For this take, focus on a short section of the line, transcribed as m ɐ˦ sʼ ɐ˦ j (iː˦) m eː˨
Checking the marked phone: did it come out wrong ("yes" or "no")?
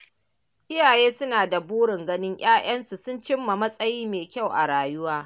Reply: no